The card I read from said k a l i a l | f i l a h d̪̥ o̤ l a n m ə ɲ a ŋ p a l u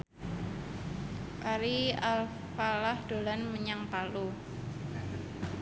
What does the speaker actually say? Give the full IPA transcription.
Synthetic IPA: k a ɾ i a l | f a l a h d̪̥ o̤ l a n m ə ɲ a ŋ p a l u